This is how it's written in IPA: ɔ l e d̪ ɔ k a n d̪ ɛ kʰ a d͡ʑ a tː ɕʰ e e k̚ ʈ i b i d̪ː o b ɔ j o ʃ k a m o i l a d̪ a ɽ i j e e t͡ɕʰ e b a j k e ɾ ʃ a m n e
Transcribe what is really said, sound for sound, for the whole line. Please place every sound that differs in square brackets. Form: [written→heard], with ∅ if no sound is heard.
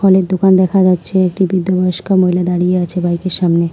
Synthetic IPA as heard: ɔ l e d̪ [ɔ→o] k a n d̪ ɛ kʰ a d͡ʑ a tː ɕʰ e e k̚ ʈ i b i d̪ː o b ɔ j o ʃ k a m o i l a d̪ a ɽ i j e [e→a] t͡ɕʰ e b a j k e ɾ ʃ a m n e